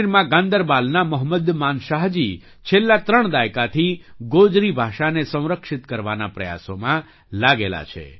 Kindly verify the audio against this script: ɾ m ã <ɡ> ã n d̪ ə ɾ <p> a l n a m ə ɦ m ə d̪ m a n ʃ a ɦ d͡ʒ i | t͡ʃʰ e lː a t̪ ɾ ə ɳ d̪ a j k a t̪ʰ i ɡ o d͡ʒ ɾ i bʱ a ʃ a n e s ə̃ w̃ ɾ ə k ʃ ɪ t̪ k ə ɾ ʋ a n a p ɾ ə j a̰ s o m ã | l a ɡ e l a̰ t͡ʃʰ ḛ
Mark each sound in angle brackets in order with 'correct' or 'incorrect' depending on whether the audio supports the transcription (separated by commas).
correct, incorrect